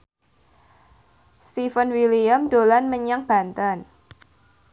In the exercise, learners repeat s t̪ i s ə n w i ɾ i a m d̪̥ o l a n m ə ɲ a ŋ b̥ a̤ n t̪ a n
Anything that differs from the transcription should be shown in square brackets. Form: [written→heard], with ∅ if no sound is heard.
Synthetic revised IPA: s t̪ i [s→f] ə n w i [ɾ→l] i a m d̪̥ o l a n m ə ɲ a ŋ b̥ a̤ n t̪ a n